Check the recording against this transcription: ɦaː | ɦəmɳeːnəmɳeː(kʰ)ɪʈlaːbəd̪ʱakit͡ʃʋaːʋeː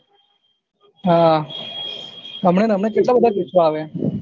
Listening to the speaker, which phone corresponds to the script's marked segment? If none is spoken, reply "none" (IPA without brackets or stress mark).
k